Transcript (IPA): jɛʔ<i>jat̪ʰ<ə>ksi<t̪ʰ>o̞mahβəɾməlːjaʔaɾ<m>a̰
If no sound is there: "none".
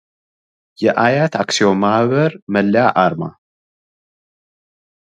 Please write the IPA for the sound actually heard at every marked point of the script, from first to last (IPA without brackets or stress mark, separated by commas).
a, a, none, m